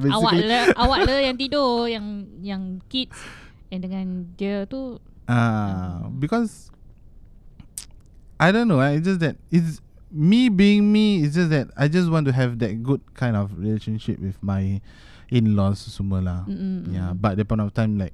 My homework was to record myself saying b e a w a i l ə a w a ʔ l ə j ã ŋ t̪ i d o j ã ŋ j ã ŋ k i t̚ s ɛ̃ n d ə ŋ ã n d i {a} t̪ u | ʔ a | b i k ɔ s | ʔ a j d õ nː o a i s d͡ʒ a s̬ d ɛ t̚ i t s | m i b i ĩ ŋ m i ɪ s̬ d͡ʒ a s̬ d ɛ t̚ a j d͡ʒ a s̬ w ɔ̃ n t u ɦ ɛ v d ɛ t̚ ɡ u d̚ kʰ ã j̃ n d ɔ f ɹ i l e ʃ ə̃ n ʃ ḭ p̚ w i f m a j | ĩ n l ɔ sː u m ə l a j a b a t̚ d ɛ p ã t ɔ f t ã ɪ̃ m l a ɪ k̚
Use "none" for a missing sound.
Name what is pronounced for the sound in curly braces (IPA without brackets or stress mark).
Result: ə